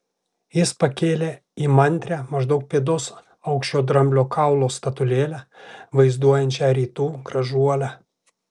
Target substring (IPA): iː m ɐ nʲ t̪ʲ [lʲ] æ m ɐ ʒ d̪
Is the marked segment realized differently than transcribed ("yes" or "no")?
yes